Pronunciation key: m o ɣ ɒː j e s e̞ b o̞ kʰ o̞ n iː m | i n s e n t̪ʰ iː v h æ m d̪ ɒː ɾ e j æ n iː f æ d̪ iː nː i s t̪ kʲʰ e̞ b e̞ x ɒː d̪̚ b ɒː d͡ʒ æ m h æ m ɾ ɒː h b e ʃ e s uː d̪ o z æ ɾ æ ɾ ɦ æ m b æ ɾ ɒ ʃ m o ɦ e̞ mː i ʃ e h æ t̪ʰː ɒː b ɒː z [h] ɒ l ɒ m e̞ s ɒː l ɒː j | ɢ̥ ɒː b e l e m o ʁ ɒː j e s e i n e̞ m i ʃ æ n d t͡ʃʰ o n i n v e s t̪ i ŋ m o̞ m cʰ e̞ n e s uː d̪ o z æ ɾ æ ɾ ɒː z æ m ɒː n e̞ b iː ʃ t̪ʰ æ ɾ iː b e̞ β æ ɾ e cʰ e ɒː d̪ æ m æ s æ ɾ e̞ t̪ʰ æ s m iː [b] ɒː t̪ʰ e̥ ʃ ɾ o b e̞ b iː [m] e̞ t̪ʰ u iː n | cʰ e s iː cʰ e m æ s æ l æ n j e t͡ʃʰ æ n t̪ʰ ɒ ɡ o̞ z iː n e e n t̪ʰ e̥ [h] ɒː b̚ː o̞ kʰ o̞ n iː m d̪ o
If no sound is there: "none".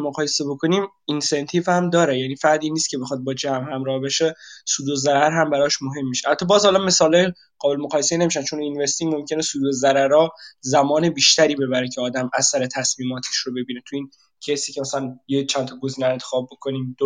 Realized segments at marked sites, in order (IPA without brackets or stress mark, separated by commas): h, m, n, x